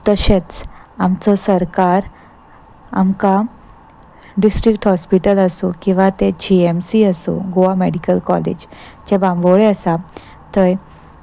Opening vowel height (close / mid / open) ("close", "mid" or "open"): mid